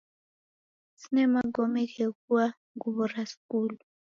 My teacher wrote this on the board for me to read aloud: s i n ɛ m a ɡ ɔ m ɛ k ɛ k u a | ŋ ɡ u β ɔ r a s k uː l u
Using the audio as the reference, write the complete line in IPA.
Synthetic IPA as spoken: s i n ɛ m a ɡ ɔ m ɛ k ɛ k u a | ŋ ɡ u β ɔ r a s k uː l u